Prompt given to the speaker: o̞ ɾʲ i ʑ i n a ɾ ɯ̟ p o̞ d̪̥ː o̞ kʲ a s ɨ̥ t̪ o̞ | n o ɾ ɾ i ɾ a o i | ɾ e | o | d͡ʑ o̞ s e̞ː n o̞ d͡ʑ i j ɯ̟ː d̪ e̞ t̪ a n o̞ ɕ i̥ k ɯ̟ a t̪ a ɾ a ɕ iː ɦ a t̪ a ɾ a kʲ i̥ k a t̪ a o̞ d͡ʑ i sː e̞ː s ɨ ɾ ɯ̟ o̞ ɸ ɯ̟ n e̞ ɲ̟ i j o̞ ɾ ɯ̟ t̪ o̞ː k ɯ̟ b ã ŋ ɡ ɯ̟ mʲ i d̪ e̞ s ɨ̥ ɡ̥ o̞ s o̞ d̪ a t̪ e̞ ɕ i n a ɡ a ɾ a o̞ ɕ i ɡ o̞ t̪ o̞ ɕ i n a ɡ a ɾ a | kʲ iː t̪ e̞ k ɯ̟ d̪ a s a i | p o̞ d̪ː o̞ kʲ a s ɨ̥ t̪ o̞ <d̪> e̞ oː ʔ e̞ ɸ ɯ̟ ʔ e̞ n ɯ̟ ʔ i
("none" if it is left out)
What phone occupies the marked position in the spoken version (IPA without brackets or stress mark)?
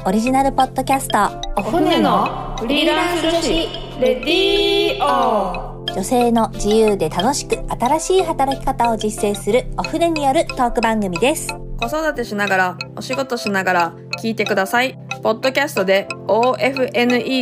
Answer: d̪